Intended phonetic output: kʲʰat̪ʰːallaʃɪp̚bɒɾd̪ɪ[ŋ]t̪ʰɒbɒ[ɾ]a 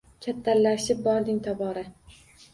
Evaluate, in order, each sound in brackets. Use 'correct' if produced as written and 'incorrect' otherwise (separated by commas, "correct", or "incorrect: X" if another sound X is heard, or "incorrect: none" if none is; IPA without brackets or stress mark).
correct, correct